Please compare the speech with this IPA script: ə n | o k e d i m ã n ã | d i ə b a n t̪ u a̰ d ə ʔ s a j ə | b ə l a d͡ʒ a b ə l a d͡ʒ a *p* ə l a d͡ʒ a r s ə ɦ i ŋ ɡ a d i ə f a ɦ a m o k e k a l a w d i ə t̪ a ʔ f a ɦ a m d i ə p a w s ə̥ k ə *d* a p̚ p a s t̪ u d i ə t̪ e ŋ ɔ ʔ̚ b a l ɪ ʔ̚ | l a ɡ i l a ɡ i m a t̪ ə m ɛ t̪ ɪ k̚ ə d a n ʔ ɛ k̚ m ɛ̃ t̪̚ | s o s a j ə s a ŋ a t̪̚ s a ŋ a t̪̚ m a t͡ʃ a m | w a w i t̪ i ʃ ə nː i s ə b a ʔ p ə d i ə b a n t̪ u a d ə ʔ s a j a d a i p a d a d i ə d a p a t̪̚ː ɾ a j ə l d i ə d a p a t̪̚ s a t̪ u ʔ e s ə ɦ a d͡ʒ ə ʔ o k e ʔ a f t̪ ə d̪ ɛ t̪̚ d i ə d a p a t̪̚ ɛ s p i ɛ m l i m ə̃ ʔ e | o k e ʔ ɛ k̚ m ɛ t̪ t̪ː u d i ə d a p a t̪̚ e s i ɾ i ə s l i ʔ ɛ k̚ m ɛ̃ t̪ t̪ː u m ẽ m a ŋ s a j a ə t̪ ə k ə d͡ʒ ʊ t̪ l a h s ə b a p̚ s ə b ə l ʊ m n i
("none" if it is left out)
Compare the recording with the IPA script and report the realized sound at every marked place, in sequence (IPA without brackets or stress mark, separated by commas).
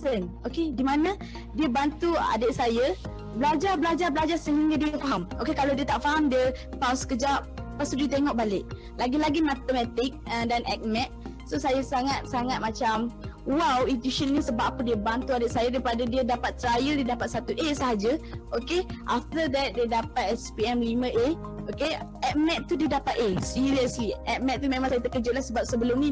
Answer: b, d͡ʒ